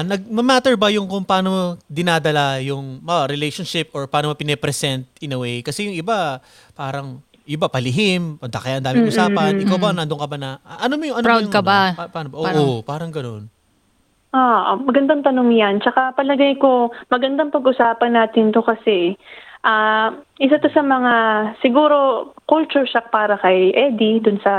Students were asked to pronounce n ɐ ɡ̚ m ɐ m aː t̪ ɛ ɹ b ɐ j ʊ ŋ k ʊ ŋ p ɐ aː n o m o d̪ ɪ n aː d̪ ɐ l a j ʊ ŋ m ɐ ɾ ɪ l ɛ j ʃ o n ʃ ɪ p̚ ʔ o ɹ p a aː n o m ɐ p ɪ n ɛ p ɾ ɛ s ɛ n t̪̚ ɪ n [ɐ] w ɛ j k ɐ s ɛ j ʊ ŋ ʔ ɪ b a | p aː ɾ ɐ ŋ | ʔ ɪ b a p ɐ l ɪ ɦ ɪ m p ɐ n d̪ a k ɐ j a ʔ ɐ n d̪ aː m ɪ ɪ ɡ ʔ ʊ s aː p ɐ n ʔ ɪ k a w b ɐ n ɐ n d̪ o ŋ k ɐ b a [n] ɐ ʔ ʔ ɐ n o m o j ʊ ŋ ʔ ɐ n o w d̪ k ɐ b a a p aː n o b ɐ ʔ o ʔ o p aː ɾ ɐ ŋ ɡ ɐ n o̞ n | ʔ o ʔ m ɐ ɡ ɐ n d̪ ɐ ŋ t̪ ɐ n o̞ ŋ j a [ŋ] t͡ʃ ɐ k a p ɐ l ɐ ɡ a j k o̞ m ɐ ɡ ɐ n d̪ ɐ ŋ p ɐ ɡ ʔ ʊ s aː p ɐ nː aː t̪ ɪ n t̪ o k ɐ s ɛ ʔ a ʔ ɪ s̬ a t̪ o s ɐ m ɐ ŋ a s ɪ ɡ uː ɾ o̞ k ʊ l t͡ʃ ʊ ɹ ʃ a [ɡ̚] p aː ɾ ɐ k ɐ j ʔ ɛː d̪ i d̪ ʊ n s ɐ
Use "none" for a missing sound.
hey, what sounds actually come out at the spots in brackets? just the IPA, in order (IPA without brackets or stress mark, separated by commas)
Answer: ɐ, n, n, k̚